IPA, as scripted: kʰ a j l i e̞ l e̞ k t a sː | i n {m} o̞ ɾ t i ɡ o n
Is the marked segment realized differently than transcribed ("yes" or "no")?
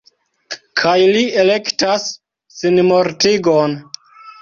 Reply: no